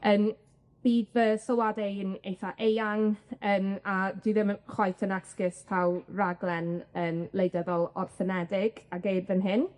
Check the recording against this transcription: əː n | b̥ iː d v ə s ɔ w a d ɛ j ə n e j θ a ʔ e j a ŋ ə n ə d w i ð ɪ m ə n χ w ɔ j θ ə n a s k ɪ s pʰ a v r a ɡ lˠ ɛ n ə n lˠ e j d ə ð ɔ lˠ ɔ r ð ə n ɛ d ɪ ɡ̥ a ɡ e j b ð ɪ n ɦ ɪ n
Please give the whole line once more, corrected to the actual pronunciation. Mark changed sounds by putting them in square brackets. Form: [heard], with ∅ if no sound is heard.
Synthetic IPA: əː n | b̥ iː d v ə s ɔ w a d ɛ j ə n e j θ a ʔ e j a ŋ ə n [a] d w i ð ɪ m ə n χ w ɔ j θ ə n a s k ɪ s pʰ a [w] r a ɡ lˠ ɛ n ə n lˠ e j d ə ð ɔ lˠ ɔ r [θ] ə n ɛ d ɪ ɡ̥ a ɡ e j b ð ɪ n ɦ ɪ n